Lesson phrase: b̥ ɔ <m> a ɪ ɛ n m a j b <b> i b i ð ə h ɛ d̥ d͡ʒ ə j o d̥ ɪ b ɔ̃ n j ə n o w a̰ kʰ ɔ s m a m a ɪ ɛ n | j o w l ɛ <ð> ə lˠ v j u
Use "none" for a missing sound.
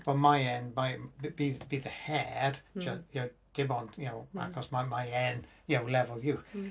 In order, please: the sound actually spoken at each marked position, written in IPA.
m, b, v

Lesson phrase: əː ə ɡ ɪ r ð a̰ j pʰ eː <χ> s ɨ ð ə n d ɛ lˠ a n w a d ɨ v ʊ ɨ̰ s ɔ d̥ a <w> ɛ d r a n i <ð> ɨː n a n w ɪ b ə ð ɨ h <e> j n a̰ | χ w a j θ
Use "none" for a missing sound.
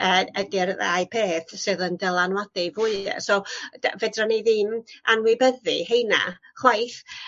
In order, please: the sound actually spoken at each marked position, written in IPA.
θ, v, ð, e

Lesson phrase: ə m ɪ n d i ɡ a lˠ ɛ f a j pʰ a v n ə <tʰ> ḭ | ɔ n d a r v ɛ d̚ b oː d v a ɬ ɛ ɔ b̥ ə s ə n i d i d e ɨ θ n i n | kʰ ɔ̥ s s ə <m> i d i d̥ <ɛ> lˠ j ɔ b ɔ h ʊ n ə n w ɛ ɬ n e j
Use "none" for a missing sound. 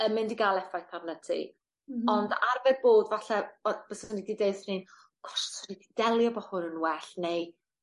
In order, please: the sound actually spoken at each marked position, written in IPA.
tʰ, n, ɛ

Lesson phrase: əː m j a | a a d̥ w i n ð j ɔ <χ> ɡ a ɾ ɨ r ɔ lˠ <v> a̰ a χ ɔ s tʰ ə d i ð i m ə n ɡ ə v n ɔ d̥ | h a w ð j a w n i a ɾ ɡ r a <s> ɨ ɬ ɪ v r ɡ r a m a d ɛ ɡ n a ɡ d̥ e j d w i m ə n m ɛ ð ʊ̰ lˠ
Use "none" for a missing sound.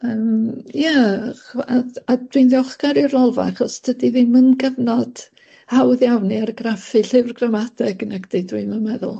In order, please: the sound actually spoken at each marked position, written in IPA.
χ, v, f

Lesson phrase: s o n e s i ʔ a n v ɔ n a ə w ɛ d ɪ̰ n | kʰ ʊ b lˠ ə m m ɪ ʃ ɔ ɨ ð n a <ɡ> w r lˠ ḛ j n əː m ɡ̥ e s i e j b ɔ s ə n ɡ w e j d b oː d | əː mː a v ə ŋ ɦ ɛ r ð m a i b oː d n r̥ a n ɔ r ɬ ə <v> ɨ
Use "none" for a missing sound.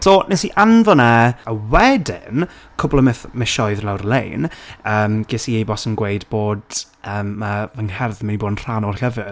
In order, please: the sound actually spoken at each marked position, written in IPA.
none, v

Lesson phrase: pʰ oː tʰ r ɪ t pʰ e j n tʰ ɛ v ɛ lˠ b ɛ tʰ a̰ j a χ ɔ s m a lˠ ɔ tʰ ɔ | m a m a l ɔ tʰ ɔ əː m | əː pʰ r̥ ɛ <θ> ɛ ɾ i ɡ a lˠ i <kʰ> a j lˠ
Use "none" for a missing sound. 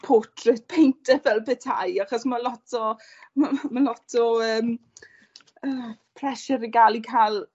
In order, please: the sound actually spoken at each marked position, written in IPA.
ʃ, kʰ

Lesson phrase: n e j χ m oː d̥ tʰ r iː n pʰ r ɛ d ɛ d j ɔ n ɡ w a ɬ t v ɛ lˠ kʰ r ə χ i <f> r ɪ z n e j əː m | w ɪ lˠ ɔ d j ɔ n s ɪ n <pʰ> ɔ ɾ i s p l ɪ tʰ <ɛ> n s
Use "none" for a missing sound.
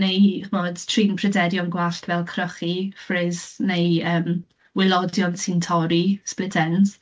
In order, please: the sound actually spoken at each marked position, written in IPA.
f, tʰ, ɛ

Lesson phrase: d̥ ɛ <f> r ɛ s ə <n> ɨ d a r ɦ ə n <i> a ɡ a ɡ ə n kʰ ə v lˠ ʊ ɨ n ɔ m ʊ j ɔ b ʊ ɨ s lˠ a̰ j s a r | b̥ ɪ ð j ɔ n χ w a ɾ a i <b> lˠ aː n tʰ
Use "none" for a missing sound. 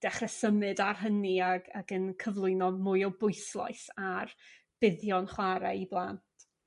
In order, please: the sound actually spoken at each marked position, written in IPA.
χ, m, i, b

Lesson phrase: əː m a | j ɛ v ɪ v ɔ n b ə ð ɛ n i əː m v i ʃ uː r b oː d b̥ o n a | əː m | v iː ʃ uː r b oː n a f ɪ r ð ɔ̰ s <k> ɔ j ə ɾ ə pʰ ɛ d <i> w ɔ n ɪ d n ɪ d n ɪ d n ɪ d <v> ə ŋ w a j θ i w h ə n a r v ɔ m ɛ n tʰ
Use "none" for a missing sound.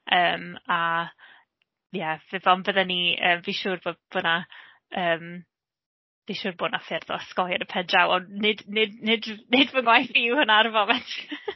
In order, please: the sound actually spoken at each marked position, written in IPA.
k, a, v

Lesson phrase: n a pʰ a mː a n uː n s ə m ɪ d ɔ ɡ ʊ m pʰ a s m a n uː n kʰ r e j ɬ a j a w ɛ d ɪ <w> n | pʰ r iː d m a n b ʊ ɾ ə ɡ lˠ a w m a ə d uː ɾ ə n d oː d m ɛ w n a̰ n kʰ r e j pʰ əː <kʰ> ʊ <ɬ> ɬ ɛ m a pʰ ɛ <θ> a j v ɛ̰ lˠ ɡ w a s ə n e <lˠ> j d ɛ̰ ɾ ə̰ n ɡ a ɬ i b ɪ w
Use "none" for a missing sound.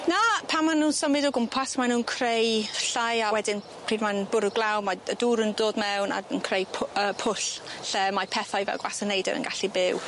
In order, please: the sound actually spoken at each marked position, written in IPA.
none, pʰ, ɬ, θ, none

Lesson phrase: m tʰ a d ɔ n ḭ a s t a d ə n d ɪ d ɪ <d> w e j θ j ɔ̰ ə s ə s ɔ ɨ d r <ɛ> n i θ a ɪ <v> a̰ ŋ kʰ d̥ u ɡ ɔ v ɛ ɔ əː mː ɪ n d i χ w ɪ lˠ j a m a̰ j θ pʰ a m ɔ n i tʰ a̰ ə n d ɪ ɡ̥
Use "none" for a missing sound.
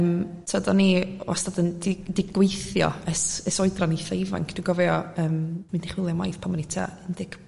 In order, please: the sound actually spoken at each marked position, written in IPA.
ɡ, a, v

